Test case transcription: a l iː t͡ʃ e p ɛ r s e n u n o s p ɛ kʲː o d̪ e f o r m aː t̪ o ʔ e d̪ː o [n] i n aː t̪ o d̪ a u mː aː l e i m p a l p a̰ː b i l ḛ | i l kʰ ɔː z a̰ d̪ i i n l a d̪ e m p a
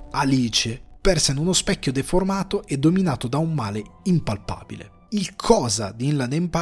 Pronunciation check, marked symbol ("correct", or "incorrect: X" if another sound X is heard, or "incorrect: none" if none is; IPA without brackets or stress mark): incorrect: m